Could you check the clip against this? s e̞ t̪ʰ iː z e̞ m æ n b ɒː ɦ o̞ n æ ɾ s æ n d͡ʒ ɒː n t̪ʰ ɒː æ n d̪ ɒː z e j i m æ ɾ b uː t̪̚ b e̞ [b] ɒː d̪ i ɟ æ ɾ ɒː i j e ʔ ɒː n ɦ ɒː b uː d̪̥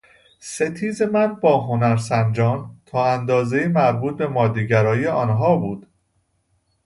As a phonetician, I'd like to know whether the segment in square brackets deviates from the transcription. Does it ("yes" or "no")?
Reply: yes